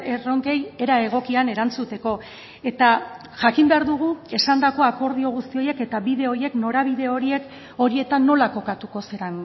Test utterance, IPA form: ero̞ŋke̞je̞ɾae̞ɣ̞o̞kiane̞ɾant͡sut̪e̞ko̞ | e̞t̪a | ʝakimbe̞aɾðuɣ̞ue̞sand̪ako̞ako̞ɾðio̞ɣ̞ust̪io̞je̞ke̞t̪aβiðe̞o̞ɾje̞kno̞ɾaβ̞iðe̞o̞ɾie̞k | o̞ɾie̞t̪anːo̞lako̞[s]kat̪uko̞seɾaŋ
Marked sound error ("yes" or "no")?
yes